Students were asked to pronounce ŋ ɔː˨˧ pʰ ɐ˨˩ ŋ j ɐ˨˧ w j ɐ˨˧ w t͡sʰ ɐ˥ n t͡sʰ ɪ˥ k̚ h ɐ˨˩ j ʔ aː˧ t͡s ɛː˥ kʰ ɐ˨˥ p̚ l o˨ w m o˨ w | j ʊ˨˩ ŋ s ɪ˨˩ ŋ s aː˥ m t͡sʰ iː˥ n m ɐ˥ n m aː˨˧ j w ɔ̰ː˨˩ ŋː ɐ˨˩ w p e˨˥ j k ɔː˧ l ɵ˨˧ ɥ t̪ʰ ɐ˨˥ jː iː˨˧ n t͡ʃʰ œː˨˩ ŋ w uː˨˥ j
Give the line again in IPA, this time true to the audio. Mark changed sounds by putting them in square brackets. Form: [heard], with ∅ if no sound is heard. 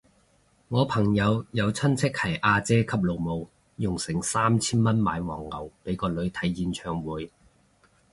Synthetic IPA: ŋ ɔː˨˧ pʰ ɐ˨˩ ŋ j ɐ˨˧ w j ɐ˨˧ w t͡sʰ ɐ˥ n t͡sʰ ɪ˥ k̚ h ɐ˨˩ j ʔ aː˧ t͡s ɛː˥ kʰ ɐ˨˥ p̚ l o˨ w m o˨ w | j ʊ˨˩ ŋ s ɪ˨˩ ŋ s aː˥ m t͡sʰ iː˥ n m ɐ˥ n m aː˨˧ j w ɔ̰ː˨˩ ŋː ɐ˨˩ w p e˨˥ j k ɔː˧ l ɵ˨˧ ɥ t̪ʰ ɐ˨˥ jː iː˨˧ n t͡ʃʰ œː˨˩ ŋ w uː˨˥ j